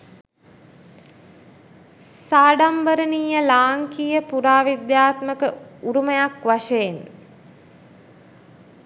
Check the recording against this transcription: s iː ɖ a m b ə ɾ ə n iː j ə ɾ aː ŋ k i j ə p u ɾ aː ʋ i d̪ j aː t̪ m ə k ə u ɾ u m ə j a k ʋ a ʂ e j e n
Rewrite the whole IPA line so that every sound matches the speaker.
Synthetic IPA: s aː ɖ a m b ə ɾ ə n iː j ə l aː ŋ k i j ə p u ɾ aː ʋ i d̪ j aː t̪ m ə k ə u ɾ u m ə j a k ʋ a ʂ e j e n